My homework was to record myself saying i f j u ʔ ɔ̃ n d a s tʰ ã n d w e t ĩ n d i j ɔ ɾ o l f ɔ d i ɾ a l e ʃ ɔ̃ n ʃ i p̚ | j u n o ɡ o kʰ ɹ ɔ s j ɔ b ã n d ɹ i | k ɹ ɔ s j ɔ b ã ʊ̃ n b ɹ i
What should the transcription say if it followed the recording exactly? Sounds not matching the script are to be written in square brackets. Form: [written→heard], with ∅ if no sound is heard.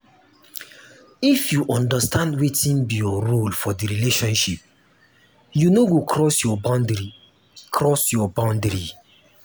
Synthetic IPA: i f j u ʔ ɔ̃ n d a s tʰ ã n d w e t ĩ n [d→b] i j ɔ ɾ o l f ɔ d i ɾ [a→i] l e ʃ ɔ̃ n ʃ i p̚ | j u n o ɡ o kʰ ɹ ɔ s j ɔ b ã n d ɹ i | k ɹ ɔ s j ɔ b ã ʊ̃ n [b→d] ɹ i